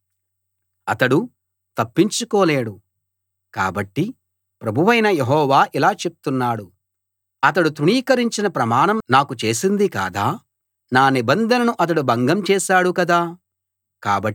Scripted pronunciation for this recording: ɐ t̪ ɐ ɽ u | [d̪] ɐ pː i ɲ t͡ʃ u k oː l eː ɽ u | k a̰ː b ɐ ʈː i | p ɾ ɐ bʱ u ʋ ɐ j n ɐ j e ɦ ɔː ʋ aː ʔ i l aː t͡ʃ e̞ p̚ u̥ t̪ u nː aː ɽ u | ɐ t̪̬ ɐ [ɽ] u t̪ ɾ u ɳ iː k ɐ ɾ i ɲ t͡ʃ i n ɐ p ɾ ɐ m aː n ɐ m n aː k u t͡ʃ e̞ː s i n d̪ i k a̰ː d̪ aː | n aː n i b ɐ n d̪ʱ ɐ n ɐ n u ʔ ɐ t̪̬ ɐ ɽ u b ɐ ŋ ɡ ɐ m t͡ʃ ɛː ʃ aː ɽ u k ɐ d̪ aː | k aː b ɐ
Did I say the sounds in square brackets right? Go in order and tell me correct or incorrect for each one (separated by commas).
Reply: incorrect, correct